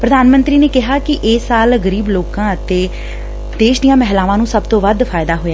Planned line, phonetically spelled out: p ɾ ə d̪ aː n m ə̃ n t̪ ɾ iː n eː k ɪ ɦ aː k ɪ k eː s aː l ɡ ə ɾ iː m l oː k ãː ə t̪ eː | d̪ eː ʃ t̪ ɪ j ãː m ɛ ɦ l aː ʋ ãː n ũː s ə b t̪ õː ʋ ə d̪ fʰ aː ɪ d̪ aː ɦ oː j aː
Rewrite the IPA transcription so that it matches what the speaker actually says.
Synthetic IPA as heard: p ɾ ə d̪ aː n m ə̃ n t̪ ɾ iː n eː k ɪ ɦ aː k ɪ ʔ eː s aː l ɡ ə ɾ iː b l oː k ãː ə t̪ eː | d̪ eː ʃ d̪ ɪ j ãː m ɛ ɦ l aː ʋ ãː n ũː s ə b t̪ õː ʋ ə d̪ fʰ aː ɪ d̪ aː ɦ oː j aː

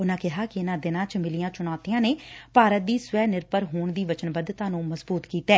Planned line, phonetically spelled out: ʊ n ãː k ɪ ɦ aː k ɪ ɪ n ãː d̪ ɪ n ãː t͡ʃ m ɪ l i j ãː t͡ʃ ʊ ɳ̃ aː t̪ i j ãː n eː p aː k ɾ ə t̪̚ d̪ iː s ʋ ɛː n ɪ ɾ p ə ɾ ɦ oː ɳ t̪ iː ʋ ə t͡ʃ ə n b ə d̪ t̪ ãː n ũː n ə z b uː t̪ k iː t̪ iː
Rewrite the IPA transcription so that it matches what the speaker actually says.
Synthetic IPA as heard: ʊ n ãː k ɪ ɦ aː k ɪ ɪ n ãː d̪ ɪ n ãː t͡ʃ m ɪ l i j ãː t͡ʃ ʊ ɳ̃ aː t̪ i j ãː n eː p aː ɾ ə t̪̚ d̪ iː s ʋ ɛː n ɪ ɾ p ə ɾ ɦ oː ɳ d̪ iː ʋ ə t͡ʃ ə n b ə d̪ t̪ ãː n ũː m ə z b uː t̪ k iː t̪ ɛː

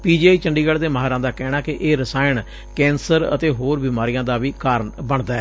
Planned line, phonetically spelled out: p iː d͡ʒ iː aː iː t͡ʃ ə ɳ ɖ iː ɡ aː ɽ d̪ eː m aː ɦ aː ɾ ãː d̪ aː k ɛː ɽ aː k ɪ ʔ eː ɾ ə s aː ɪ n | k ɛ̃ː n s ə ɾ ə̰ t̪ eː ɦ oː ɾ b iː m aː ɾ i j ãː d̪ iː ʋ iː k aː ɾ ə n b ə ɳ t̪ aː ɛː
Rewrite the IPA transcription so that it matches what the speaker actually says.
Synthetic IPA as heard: p iː d͡ʒ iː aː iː t͡ʃ ə ɳ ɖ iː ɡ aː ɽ d̪ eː m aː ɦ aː ɾ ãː d̪ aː k ɛː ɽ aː k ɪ ʔ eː ɾ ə s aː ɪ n | k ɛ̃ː n s ə ɾ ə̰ t̪ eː ɦ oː ɾ b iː m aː ɾ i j ãː d̪ aː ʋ iː k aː ɾ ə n b ə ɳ d̪ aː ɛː

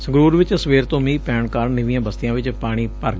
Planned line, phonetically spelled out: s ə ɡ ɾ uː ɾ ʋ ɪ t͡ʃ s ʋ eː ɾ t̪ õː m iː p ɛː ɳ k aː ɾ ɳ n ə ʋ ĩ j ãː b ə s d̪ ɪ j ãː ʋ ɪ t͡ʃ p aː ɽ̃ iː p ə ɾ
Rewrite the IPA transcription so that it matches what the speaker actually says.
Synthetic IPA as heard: s ə ɡ ɾ uː ɾ ʋ ɪ t͡ʃ s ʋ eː ɾ t̪ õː m iː p ɛː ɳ k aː ɾ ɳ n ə ʋ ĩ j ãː b ə s t̪ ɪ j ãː ʋ ɪ t͡ʃ p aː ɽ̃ iː p ə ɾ

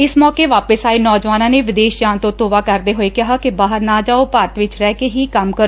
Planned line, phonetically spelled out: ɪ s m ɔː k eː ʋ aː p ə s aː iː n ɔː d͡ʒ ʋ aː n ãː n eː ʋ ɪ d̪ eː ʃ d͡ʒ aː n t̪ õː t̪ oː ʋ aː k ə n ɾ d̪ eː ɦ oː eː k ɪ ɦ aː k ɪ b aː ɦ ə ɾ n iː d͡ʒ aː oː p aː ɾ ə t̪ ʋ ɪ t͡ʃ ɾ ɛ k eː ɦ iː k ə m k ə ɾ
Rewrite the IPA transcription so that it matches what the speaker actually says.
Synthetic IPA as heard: ɪ s m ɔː k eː ʋ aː p ə s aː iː n ɔː d͡ʒ ʋ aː n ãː n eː ʋ ɪ d̪ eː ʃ d͡ʒ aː n t̪ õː t̪ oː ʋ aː k ə ɾ d̪ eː ɦ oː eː k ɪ ɦ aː k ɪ b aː ɦ ə ɾ n aː d͡ʒ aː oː p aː ɾ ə t̪ ʋ ɪ t͡ʃ ɾ ɛː k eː ɦ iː k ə m k ə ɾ

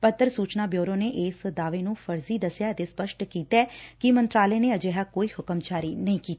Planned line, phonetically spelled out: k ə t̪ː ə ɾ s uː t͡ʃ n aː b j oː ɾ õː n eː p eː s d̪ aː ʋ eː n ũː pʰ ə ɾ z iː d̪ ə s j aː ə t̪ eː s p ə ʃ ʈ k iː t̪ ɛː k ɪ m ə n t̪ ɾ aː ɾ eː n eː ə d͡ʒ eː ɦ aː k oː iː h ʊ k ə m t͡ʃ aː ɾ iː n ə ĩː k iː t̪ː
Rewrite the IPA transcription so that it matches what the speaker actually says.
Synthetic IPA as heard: p ə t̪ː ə ɾ s uː t͡ʃ n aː b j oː ɾ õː n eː ʔ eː s d̪ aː ʋ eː n ũː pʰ ə ɾ z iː d̪ ə s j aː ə t̪ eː s p ə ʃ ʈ k iː t̪ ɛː k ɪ m ə n t̪ ɾ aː l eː n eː ə d͡ʒ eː ɦ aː k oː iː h ʊ k ə m t͡ʃ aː ɾ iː n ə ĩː k iː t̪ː

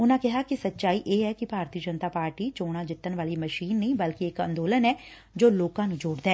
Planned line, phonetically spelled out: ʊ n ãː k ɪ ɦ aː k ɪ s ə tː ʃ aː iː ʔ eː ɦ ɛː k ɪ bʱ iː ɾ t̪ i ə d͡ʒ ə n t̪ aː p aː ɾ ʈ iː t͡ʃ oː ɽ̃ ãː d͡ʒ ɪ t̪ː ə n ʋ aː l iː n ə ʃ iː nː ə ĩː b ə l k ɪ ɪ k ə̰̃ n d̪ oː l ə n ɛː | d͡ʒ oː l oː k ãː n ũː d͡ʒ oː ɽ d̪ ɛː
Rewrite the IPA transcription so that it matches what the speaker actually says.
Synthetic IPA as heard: ʊ n ãː k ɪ ɦ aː k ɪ s ə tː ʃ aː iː ʔ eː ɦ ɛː k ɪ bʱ aː ɾ t̪ i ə d͡ʒ ə n t̪ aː p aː ɾ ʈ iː t͡ʃ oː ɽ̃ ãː d͡ʒ ɪ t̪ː ə n ʋ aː l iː m ə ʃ iː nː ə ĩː b ə l k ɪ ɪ k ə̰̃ n d̪ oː l ə n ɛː | d͡ʒ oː l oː k ãː n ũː d͡ʒ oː ɽ d̪ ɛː

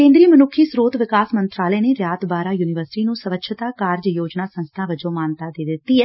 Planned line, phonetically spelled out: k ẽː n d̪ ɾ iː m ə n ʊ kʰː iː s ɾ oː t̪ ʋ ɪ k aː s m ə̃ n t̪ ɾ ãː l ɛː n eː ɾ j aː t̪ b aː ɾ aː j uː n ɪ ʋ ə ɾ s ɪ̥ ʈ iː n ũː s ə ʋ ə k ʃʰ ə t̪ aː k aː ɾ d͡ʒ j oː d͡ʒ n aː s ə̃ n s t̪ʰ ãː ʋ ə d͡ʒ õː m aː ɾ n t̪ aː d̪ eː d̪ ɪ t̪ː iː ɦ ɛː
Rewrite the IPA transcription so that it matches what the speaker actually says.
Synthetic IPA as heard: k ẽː n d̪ ɾ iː m ə n ʊ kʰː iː s ɾ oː t̪ ʋ ɪ k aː s m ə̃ n t̪ ɾ aː l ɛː n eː ɾ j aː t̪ b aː ɾ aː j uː n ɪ ʋ ə ɾ s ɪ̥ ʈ iː n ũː s ə ʋ ə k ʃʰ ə t̪ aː k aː ɾ d͡ʒ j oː d͡ʒ n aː s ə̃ n s t̪ʰ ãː ʋ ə d͡ʒ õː m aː n t̪ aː d̪ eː d̪ ɪ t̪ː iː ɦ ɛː

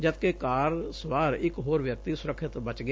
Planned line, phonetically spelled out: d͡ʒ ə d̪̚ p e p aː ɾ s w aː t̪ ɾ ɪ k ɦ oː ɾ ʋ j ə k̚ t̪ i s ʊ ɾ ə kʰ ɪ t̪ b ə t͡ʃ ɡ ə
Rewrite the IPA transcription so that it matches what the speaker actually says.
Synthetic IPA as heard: d͡ʒ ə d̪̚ k e k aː ɾ s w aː ɾ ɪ k ɦ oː ɾ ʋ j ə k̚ t̪ i s ʊ ɾ ə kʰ ɪ t̪ b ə t͡ʃ ɡ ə

